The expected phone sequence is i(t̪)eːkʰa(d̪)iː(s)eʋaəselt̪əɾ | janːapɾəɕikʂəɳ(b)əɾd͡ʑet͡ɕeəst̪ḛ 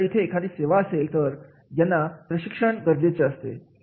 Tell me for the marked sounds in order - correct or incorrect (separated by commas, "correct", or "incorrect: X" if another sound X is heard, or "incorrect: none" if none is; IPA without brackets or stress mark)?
incorrect: t̪ʰ, correct, correct, incorrect: ɡ